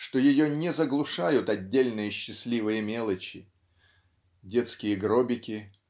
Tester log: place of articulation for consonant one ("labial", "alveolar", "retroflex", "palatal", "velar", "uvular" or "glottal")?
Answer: retroflex